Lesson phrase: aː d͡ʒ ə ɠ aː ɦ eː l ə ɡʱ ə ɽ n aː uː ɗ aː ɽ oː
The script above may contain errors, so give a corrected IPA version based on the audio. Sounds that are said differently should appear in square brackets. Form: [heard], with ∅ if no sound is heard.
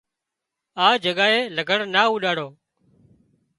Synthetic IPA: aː d͡ʒ ə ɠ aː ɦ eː l ə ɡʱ ə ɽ n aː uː ɗ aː ɽ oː